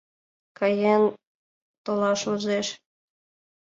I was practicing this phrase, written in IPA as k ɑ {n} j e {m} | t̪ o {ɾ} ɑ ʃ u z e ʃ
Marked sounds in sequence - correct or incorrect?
incorrect: none, incorrect: n, incorrect: l

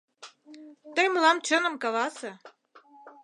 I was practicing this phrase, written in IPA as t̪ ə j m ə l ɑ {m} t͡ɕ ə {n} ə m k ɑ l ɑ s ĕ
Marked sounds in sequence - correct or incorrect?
correct, correct

